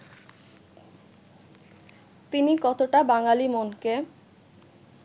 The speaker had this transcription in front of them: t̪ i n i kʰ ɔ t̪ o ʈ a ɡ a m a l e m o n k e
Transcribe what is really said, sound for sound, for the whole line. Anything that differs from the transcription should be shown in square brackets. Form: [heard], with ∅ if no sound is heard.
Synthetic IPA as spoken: t̪ i n i [k] ɔ t̪ o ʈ a [b] a [ŋ] a l [i] m o n k e